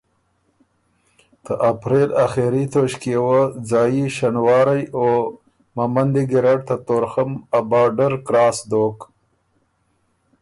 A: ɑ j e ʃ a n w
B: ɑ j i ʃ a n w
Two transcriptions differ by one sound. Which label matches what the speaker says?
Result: B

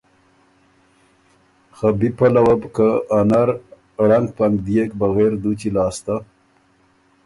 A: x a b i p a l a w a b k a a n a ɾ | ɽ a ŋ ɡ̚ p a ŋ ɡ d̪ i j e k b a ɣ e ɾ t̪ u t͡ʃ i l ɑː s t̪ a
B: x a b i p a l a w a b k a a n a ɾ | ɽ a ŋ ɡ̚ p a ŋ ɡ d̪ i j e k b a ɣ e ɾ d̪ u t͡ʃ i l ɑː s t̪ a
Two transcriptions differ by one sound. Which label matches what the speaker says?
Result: B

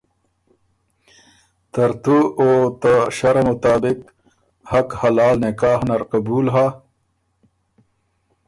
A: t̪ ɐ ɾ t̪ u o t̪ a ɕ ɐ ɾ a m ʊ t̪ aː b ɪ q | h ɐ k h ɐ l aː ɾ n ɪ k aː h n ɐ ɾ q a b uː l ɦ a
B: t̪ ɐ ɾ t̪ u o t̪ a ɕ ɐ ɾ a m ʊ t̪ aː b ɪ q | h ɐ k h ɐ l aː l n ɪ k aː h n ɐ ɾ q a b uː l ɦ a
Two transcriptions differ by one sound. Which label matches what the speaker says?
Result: B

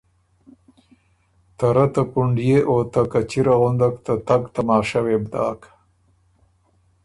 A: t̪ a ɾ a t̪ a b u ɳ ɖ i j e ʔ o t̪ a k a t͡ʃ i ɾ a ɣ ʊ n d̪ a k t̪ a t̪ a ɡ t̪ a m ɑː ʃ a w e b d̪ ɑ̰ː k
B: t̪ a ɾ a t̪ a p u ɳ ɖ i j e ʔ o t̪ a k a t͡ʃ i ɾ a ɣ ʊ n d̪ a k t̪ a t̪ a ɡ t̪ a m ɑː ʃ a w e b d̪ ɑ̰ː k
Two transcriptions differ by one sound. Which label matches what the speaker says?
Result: B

